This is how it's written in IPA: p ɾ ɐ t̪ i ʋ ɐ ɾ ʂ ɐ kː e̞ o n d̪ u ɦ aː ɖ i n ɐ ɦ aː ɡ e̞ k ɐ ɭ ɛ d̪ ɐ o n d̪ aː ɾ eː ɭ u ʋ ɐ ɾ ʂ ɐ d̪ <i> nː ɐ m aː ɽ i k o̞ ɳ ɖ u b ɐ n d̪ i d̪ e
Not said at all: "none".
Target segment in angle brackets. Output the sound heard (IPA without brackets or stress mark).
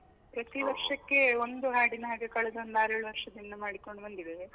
i